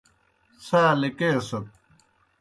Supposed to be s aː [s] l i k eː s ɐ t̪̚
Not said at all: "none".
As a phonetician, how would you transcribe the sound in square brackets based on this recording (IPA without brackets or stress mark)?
none